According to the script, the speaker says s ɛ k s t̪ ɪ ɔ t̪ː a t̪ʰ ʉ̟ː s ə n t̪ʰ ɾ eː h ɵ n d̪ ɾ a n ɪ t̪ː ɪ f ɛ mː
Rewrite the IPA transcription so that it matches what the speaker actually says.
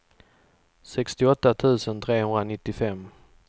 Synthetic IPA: s ɛ k s t̪ ɪ ɔ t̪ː a t̪ʰ ʉ̟ː s ə n t̪ʰ ɾ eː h ɵ n d̪ ɾ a n ɪ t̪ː ɪ f ɛ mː